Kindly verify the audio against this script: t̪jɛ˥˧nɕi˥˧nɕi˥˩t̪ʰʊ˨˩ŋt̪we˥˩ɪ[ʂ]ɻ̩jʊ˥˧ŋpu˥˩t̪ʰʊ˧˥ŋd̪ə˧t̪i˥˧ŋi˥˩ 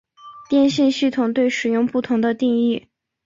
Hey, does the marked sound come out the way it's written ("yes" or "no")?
yes